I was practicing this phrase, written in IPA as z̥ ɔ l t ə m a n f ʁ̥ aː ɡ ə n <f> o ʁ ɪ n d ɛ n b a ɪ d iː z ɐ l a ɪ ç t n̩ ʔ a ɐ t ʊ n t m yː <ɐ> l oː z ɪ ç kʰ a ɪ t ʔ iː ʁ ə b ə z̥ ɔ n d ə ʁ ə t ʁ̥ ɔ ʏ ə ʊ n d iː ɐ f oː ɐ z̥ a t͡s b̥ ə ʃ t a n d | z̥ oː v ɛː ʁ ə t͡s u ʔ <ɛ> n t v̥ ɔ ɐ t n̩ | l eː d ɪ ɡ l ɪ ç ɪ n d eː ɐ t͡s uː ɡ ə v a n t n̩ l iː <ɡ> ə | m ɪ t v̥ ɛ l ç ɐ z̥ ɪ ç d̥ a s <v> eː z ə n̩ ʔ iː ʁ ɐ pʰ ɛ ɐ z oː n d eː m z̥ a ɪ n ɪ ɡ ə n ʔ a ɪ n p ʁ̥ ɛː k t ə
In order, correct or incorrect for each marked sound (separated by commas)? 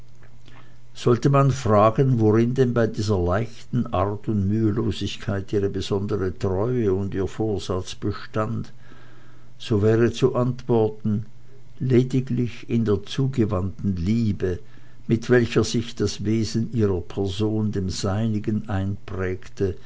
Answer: incorrect, incorrect, incorrect, incorrect, correct